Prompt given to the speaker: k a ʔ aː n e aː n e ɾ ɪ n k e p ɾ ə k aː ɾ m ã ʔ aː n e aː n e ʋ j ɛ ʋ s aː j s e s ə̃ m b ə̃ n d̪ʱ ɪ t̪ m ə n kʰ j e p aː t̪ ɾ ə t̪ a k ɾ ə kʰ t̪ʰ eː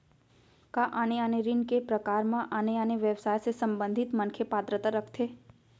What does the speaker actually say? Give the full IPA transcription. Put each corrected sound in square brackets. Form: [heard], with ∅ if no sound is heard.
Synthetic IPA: k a ʔ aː n e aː n e ɾ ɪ n k e p ɾ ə k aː ɾ m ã ʔ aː n e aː n e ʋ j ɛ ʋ s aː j s e s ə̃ m b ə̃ n d̪ʱ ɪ t̪ m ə n kʰ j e p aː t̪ ɾ ə t̪ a [∅] ɾ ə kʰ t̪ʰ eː